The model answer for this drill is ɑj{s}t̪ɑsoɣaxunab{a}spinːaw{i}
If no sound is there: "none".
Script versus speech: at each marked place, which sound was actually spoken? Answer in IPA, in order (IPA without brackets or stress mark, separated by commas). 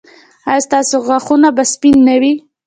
s, a, i